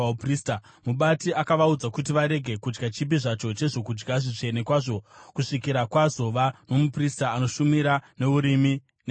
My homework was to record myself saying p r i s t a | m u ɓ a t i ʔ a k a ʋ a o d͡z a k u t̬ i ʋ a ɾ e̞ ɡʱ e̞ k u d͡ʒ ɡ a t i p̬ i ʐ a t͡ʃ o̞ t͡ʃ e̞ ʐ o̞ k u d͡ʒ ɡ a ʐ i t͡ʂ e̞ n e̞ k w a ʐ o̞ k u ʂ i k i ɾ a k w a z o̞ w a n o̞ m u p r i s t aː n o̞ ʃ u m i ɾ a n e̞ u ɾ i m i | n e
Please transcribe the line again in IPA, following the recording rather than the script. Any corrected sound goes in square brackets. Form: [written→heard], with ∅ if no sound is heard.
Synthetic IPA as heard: p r i s t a | m u ɓ a t i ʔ a k a ʋ a [o→u] d͡z a k u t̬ i ʋ a ɾ e̞ ɡʱ e̞ k u d͡ʒ ɡ a [t→t͡ʃ] i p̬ i ʐ a t͡ʃ o̞ t͡ʃ e̞ ʐ o̞ k u d͡ʒ ɡ a ʐ i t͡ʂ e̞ n e̞ k w a ʐ o̞ k u ʂ i k i ɾ a k w a z o̞ [w→ʋ] a n o̞ m u p r i s t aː n o̞ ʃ u m i ɾ a n e̞ u ɾ i m i | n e